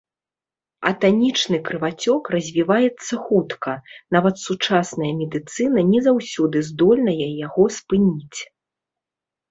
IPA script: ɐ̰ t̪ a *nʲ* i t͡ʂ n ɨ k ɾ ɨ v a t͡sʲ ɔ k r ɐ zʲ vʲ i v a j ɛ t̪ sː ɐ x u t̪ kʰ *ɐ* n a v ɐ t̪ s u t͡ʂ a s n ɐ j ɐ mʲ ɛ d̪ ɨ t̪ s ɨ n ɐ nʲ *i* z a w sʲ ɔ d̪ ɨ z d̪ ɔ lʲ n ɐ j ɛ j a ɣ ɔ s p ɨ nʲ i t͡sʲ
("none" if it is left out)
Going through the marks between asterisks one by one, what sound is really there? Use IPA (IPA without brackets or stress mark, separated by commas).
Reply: nʲ, ɐ, ɛ